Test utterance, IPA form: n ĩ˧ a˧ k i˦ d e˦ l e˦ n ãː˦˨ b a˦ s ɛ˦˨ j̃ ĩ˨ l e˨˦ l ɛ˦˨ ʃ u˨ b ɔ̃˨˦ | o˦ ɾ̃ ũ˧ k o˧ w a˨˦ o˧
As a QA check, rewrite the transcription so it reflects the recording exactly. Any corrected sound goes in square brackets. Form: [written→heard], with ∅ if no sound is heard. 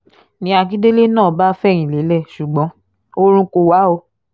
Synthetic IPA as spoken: n ĩ˧ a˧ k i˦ d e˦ l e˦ n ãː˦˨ b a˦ [s→f] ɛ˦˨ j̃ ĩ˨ l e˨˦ l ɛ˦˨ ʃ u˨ [b→ɡ͡b] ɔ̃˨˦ | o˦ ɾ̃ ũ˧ k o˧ w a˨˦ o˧